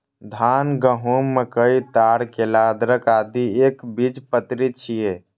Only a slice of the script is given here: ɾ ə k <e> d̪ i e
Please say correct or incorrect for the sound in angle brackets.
incorrect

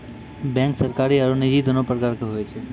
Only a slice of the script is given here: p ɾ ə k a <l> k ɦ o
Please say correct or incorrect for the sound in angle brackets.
incorrect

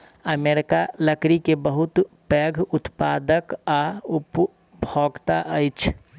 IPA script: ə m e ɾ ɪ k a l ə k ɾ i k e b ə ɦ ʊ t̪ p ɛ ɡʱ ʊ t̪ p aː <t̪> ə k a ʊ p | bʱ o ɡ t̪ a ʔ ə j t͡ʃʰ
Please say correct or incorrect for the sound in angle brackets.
incorrect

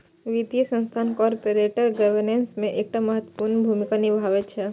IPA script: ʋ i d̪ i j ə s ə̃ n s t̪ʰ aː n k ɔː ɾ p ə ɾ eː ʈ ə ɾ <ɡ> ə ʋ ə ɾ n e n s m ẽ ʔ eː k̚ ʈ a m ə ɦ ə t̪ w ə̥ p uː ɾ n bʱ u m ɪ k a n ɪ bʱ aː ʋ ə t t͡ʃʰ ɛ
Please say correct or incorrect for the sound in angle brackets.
correct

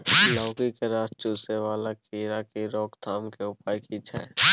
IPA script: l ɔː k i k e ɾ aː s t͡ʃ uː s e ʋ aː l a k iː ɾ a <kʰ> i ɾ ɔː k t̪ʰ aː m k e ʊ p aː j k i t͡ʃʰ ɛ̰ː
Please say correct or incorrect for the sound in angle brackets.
incorrect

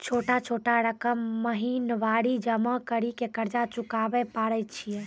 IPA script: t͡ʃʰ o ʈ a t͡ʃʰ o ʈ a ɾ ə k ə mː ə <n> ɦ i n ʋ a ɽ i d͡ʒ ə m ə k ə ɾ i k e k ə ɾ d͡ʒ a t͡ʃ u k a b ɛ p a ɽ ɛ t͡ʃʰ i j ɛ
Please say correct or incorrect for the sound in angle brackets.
incorrect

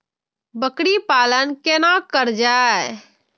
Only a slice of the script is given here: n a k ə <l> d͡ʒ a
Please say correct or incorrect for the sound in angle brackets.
incorrect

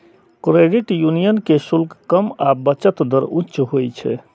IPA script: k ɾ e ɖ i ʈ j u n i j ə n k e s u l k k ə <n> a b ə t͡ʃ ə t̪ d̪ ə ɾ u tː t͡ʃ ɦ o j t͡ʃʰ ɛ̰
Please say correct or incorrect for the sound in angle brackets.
incorrect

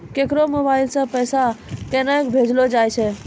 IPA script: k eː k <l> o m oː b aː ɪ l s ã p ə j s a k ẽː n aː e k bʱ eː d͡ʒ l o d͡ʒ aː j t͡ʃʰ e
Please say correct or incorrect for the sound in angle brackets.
incorrect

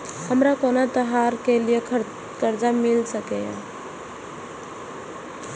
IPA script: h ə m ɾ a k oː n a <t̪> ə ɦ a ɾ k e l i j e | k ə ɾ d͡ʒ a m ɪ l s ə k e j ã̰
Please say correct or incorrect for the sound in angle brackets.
correct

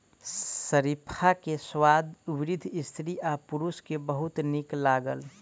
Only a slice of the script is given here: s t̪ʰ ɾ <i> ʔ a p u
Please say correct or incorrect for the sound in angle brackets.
correct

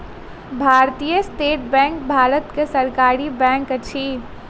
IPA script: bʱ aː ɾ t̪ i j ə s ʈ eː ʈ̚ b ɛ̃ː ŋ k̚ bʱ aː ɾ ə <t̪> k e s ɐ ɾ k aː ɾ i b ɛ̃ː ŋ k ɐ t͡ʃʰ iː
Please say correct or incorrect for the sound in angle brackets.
correct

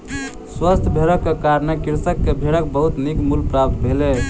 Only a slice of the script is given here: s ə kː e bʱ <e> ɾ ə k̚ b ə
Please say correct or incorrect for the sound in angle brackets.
correct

